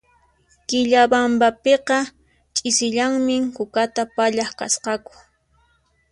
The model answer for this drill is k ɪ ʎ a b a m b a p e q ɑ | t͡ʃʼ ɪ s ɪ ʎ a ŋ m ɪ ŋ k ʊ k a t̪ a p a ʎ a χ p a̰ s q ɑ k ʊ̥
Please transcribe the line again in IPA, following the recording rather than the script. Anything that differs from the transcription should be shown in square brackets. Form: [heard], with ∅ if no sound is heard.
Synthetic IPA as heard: k ɪ ʎ a b a m b a p e q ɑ | t͡ʃʼ ɪ s ɪ ʎ a ŋ m ɪ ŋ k ʊ k a t̪ a p a ʎ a χ [k] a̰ s q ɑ k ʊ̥